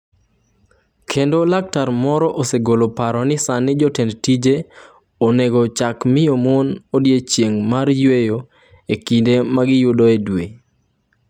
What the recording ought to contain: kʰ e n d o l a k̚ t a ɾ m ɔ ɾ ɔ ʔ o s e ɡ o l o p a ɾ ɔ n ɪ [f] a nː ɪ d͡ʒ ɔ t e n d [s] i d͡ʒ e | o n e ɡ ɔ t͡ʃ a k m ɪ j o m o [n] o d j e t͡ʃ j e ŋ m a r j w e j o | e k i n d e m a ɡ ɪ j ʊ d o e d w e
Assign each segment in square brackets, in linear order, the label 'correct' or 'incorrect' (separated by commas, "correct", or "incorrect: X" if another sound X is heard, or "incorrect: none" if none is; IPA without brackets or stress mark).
incorrect: s, incorrect: t, correct